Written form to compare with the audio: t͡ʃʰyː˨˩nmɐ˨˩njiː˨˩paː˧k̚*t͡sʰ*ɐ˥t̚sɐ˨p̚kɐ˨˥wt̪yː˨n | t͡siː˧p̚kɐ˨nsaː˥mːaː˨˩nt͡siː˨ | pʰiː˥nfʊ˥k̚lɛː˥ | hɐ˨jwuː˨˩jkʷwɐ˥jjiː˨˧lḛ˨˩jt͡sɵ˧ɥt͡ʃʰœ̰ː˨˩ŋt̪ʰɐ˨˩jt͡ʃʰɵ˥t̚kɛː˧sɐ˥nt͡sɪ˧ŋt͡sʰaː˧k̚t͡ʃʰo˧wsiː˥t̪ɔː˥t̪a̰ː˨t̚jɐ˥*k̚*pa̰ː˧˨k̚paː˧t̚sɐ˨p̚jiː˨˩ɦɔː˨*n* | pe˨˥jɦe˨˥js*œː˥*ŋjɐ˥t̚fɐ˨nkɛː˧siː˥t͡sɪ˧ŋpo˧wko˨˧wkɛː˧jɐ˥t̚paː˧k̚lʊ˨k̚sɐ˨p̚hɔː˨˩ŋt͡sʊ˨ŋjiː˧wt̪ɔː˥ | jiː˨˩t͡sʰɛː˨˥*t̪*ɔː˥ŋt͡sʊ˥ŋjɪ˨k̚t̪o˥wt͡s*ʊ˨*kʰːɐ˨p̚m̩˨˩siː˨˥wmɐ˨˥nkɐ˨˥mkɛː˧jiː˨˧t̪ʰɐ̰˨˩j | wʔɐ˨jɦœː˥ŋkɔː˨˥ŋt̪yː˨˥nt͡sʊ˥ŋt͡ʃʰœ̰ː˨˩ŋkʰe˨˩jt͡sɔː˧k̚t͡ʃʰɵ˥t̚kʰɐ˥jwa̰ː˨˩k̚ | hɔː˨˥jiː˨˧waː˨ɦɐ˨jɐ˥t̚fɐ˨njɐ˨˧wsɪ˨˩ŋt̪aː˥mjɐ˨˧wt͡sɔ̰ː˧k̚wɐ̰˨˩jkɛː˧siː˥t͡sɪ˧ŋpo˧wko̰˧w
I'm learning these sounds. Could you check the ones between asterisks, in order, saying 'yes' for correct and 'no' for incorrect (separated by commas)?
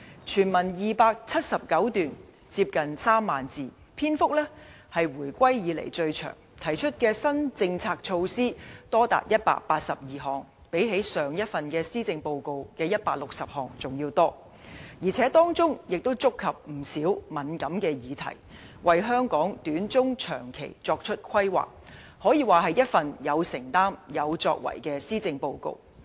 yes, no, no, no, yes, no